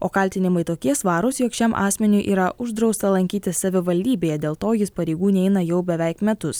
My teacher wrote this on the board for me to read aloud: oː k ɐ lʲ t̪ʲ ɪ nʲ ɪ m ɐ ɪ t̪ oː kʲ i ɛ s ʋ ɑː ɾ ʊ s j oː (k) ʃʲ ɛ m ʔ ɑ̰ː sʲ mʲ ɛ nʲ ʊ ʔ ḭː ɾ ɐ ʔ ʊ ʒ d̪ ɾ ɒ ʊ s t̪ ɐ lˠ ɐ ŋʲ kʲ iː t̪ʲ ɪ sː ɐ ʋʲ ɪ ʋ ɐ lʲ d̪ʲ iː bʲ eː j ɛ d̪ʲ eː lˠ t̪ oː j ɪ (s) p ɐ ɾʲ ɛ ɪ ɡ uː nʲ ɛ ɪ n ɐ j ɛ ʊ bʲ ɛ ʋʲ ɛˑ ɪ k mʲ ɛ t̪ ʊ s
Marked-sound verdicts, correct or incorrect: correct, correct

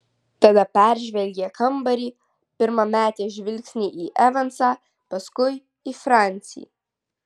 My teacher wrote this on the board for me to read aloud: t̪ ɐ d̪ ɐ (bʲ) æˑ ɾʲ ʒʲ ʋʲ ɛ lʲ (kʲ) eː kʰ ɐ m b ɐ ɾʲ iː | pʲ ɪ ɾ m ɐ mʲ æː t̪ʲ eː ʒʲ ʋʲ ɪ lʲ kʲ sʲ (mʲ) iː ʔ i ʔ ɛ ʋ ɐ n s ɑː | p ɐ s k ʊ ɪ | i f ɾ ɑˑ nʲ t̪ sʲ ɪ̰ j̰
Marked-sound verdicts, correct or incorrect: incorrect: pʲ, incorrect: ɡʲ, incorrect: nʲ

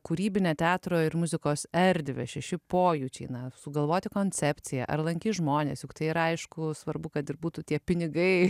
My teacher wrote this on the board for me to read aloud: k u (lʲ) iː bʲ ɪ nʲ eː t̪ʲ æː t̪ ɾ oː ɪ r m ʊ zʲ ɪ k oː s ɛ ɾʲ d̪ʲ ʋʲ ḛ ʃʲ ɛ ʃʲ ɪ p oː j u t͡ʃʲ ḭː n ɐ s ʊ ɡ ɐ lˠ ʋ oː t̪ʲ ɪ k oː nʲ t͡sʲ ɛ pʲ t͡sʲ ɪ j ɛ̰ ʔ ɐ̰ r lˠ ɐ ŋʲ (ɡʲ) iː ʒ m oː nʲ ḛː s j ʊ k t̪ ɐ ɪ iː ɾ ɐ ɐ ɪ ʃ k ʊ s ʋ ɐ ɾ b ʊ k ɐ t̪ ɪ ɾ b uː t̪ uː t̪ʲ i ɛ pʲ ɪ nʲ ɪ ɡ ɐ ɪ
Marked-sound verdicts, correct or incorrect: incorrect: ɾʲ, incorrect: kʲ

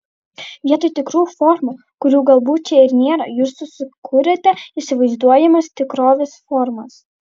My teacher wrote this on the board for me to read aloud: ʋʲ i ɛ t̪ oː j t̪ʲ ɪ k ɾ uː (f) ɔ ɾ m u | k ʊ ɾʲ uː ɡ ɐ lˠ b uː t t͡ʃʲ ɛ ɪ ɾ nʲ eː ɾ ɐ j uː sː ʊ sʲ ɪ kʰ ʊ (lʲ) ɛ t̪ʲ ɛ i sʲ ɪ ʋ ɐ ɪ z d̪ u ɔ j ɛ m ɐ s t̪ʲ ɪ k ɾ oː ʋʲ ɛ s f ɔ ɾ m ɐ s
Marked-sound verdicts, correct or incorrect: correct, incorrect: ɾʲ

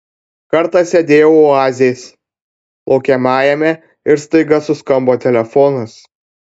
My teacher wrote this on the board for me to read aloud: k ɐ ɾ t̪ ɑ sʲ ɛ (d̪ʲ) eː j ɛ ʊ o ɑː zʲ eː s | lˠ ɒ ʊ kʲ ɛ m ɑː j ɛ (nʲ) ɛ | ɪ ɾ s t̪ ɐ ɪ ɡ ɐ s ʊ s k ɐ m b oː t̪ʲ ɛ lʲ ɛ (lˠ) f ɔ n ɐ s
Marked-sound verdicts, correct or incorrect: correct, incorrect: mʲ, incorrect: none

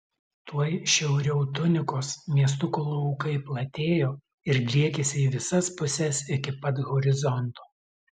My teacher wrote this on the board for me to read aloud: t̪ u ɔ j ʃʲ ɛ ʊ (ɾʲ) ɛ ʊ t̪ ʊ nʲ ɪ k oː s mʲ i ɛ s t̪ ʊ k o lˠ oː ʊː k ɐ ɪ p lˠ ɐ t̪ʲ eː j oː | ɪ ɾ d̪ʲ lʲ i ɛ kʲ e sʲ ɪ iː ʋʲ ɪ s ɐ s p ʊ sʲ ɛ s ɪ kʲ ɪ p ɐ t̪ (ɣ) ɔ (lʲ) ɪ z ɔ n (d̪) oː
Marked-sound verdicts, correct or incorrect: correct, correct, incorrect: ɾʲ, incorrect: t̪

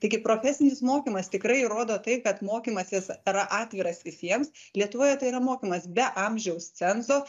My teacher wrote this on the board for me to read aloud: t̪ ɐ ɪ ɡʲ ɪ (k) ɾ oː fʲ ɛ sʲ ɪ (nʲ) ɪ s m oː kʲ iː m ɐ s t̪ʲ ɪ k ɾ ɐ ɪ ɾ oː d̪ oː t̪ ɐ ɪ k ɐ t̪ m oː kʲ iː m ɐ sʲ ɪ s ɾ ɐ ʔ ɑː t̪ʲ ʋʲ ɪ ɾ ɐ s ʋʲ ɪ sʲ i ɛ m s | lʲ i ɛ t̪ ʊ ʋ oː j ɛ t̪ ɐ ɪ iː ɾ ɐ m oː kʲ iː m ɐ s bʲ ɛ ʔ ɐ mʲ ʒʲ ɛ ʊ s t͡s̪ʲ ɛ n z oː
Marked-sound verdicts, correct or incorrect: incorrect: p, correct

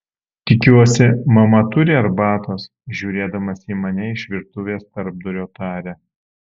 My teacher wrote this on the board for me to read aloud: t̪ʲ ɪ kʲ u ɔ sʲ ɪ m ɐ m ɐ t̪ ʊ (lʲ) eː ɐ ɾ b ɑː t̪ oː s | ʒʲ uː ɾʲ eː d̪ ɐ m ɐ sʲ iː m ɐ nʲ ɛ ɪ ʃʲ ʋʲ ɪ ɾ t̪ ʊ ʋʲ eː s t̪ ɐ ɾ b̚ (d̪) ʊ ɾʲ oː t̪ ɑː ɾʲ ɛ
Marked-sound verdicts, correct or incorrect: incorrect: ɾʲ, correct

